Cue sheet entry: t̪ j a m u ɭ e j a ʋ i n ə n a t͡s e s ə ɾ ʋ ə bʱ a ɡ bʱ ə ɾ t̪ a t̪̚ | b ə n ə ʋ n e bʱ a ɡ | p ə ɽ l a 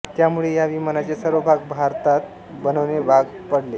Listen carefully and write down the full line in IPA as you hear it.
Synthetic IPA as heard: t̪ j a m u ɭ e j a ʋ i m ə n a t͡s e s ə ɾ ʋ ə bʱ a ɡ bʱ a ɾ t̪ a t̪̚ | b ə n ə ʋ n e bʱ a ɡ | p ə ɽ l e